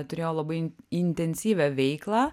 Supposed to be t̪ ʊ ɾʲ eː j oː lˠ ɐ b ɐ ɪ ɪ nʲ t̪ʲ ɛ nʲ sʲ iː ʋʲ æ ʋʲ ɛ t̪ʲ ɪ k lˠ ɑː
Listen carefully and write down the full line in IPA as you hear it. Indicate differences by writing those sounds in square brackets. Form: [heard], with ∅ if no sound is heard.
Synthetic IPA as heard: t̪ ʊ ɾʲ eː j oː lˠ ɐ b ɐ ɪ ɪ nʲ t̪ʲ ɛ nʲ sʲ iː ʋʲ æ ʋʲ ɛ [∅] ɪ k lˠ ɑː